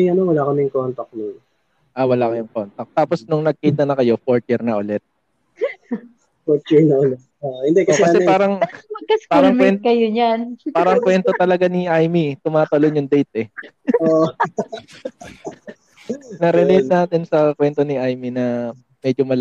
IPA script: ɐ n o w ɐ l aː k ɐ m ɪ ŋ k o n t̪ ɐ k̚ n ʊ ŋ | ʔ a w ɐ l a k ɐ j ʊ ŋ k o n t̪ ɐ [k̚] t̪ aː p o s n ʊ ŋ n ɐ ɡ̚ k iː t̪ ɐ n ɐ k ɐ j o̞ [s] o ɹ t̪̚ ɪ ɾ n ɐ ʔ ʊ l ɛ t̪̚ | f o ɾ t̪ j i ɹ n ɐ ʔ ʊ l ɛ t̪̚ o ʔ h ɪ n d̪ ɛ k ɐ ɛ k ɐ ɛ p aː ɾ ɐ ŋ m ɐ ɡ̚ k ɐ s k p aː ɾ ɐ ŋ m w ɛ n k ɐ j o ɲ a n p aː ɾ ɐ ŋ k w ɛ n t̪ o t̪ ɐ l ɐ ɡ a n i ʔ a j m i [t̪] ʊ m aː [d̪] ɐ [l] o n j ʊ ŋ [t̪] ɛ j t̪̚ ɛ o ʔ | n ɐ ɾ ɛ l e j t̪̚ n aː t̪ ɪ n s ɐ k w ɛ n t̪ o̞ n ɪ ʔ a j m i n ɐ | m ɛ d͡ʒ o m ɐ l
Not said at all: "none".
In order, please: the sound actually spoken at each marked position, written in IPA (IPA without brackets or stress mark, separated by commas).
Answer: k̚, f, t̪, t̪, l, d̪